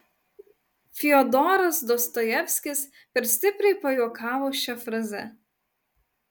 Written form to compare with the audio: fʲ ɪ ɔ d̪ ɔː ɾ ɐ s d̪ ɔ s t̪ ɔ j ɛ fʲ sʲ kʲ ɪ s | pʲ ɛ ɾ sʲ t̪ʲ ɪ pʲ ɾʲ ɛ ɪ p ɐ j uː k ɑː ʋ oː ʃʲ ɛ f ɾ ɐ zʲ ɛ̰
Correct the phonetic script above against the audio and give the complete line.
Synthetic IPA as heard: fʲ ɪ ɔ d̪ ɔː ɾ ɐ s d̪ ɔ s t̪ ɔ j ɛ fʲ sʲ kʲ ɪ s | pʲ ɛ ɾ sʲ t̪ʲ ɪ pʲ ɾʲ ɛ ɪ p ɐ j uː k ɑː ʋ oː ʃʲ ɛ f ɾ ɐ zʲ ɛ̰